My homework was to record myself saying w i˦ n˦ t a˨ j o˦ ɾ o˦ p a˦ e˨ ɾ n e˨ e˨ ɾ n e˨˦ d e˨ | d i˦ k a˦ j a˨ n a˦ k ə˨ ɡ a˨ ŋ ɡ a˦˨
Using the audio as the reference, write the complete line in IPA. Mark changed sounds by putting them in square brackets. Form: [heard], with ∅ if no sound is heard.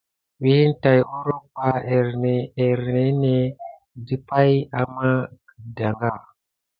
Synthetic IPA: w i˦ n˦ t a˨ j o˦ ɾ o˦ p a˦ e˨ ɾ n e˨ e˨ ɾ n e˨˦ [n] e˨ | d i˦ [p] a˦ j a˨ [m] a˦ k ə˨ [d] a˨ ŋ ɡ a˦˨